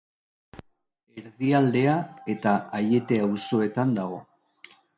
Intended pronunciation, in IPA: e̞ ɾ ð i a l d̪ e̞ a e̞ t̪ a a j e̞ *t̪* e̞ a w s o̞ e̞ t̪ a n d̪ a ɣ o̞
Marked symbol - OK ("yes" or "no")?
yes